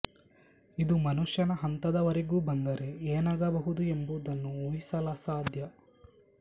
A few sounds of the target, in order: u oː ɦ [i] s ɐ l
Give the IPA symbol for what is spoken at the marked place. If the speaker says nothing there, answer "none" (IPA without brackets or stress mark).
i